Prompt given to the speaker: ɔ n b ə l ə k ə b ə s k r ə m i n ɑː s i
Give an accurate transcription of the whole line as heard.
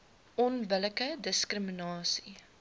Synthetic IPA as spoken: ɔ n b ə l ə k ə d ə s k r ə m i n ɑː s i